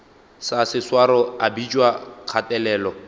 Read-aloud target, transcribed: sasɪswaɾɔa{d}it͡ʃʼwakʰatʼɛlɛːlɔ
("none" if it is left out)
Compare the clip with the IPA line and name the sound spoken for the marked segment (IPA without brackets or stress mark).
b